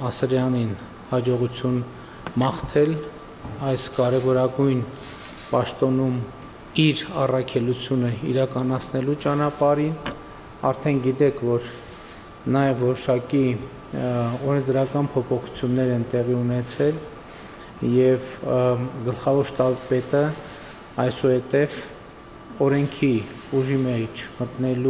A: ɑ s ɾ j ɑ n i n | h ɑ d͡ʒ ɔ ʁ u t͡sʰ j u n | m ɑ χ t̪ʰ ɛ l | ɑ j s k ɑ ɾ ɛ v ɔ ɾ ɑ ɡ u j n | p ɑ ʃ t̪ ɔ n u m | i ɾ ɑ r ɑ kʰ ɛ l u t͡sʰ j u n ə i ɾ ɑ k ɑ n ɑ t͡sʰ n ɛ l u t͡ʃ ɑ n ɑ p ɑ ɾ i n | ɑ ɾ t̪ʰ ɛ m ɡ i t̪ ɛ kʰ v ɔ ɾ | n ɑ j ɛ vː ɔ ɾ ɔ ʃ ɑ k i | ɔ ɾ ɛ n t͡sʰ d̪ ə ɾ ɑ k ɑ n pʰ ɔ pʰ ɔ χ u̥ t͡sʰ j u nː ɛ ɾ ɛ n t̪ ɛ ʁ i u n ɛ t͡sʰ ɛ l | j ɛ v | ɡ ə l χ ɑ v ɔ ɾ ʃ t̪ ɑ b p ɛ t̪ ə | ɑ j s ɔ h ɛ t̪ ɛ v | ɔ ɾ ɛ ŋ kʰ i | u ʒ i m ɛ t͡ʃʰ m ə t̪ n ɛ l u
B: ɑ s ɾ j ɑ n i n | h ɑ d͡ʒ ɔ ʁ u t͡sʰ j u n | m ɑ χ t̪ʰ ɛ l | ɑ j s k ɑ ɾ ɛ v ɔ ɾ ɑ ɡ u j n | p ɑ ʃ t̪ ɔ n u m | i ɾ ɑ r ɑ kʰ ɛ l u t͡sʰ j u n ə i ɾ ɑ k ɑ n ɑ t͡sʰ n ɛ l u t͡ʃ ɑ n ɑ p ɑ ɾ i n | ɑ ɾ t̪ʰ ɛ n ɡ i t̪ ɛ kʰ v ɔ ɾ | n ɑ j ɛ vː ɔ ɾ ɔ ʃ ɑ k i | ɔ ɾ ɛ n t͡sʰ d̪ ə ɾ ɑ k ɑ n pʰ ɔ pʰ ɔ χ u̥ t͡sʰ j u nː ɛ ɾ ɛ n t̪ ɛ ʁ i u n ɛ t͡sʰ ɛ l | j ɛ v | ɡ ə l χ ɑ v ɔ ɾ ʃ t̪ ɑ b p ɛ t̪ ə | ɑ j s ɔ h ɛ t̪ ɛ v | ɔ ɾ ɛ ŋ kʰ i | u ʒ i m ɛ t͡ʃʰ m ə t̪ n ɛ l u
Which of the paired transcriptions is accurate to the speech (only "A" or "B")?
B